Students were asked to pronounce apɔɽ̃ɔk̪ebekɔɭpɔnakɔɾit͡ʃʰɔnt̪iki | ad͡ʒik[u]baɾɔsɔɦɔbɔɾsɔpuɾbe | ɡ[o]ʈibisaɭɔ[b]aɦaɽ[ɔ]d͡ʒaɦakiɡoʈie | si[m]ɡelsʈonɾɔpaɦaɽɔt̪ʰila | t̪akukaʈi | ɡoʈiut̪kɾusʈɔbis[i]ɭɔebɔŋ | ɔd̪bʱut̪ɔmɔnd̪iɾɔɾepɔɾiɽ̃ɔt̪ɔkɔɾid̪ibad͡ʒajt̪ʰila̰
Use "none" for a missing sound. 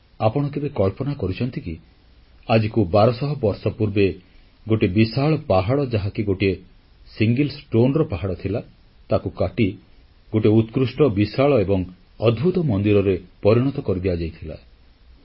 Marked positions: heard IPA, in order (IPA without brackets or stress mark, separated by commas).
u, o, p, ɔ, ŋ, a